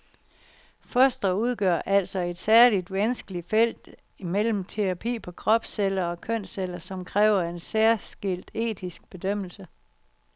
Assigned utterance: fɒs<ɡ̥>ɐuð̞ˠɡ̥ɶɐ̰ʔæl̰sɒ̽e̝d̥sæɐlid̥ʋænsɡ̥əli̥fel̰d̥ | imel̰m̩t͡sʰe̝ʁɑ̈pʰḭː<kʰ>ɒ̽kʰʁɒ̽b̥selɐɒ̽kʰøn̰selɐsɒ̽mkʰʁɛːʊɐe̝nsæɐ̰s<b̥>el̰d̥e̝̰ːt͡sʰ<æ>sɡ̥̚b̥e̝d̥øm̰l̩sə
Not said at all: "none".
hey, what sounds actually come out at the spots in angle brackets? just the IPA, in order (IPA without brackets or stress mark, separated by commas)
d̥, pʰ, ɡ̥, i